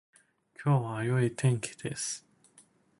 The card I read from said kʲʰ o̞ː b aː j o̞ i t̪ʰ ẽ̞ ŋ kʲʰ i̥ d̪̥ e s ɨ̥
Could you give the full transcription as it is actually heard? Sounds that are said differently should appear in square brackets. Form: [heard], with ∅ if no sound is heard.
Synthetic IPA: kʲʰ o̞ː [β] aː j o̞ i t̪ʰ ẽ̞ ŋ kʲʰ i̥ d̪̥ e s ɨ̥